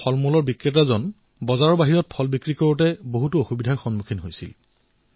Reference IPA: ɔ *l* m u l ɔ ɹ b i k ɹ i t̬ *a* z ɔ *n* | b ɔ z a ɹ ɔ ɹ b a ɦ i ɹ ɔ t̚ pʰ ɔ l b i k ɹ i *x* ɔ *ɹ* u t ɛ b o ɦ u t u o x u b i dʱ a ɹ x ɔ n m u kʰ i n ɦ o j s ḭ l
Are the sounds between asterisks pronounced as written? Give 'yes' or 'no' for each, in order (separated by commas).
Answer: yes, yes, yes, no, yes